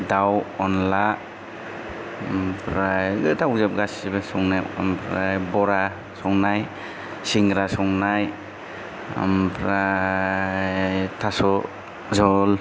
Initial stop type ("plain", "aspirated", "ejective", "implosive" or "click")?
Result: plain